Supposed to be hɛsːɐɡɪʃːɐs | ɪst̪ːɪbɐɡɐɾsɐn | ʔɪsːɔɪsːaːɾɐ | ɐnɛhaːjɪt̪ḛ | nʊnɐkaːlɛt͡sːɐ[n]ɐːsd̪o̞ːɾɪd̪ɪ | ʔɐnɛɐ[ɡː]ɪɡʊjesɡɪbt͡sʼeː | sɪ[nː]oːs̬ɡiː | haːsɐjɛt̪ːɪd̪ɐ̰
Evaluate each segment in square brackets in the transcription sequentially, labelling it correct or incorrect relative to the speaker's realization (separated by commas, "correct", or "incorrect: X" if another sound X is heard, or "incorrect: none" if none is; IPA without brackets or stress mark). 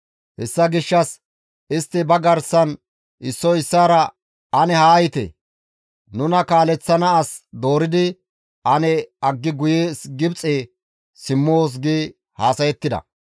correct, correct, incorrect: mː